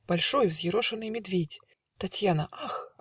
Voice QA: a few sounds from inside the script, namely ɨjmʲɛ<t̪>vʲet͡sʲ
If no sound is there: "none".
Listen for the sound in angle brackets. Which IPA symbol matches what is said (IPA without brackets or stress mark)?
d̪